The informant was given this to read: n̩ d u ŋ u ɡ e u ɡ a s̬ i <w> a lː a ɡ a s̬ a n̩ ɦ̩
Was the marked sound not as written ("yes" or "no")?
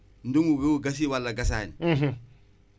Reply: no